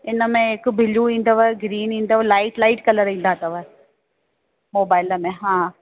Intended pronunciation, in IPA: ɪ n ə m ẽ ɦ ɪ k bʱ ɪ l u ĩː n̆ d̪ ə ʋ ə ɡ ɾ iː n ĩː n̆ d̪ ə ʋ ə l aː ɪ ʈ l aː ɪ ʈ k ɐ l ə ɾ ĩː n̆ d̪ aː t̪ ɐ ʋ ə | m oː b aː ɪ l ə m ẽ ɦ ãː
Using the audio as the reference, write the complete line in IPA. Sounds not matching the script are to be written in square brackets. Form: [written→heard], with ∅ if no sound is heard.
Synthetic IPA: ɪ n ə m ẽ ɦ ɪ k bʱ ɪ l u ĩː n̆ d̪ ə ʋ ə ɡ ɾ iː n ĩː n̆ d̪ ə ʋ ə l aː ɪ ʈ l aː ɪ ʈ k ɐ l ə ɾ ĩː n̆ d̪ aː t̪ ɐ ʋ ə | m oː b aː ɪ l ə m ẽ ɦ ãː